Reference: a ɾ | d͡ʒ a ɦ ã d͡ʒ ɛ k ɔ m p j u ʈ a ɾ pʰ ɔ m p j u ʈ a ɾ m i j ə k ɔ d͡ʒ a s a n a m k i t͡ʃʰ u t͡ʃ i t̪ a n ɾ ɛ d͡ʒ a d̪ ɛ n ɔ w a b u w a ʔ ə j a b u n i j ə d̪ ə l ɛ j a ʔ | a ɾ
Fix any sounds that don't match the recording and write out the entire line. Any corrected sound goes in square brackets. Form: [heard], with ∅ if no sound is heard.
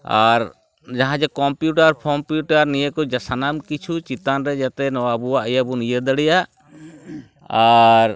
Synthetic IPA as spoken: a ɾ | d͡ʒ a ɦ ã d͡ʒ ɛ k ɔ m p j u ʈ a ɾ pʰ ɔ m p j u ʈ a ɾ [n] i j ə k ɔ d͡ʒ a s a n a m k i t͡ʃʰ u t͡ʃ i t̪ a n ɾ ɛ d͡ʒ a [t̪] ɛ n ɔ w a b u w a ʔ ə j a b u n i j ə d̪ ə [ɽ] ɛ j a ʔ | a ɾ